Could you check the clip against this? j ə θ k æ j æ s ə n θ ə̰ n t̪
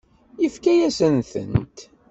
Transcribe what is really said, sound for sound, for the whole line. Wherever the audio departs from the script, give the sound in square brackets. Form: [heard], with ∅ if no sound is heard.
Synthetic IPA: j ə [f] k æ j æ s ə n θ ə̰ n t̪